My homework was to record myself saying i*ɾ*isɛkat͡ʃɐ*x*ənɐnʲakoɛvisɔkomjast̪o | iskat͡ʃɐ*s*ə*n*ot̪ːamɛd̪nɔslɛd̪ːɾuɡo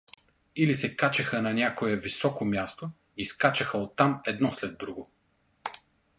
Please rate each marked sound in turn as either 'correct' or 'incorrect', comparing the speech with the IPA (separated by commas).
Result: incorrect, correct, incorrect, incorrect